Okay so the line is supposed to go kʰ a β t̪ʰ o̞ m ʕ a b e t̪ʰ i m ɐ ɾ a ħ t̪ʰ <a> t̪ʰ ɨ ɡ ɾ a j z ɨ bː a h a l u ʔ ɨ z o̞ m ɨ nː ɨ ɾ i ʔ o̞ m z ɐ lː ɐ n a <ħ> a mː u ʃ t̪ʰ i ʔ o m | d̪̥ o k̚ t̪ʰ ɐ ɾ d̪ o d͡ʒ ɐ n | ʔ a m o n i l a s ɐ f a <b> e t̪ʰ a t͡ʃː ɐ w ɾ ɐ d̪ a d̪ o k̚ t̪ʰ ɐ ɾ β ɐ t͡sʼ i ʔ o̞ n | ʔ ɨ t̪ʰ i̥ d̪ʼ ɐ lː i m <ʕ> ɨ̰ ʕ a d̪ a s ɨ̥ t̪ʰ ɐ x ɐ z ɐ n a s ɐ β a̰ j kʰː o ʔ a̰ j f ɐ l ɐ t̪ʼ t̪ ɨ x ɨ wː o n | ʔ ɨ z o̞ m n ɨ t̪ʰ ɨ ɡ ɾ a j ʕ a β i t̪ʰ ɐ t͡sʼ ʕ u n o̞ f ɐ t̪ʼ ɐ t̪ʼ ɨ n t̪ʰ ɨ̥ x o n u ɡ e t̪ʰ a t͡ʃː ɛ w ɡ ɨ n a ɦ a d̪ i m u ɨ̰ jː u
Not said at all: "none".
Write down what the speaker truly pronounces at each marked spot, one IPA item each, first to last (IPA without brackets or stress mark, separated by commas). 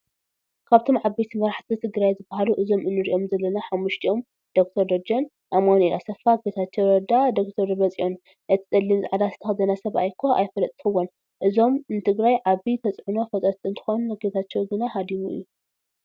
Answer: i, ħ, ɡ, z